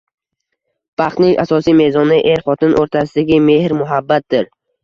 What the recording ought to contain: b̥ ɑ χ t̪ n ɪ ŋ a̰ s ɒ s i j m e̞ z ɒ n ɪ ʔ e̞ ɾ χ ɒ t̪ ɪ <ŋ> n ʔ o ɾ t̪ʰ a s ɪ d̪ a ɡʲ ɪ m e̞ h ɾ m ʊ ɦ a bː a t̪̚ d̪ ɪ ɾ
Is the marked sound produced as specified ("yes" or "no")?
no